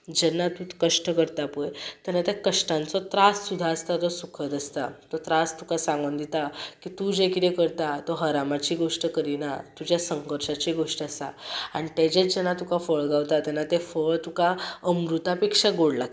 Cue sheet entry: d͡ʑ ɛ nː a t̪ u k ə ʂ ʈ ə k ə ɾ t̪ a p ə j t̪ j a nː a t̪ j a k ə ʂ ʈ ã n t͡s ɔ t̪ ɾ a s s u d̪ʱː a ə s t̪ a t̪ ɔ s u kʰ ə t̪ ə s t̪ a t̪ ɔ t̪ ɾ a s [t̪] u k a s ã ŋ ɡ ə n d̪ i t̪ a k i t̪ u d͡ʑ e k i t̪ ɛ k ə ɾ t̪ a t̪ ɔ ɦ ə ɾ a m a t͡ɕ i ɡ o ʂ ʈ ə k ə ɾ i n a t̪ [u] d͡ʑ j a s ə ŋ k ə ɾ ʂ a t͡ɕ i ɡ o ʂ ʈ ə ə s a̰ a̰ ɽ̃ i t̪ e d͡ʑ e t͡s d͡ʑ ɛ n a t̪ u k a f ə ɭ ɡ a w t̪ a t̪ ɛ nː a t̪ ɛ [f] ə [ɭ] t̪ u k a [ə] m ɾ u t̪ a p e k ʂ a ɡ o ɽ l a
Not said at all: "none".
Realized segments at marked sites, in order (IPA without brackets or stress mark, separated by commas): t̪, u, f, ɭ, ə